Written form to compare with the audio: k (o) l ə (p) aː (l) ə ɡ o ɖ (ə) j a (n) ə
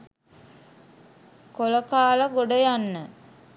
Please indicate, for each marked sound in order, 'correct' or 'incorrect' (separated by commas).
correct, incorrect, correct, correct, incorrect